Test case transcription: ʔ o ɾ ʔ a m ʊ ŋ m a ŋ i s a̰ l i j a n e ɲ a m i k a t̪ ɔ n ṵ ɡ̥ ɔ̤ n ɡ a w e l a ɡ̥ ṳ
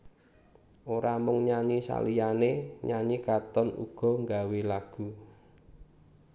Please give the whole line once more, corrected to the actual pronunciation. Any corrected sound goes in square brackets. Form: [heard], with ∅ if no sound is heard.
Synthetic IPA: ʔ o ɾ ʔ a m ʊ ŋ [ɲ] a [ɲ] i s a̰ l i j a n e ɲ a [ɲ] i k a t̪ ɔ n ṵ ɡ̥ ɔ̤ [ŋ] ɡ a w e l a ɡ̥ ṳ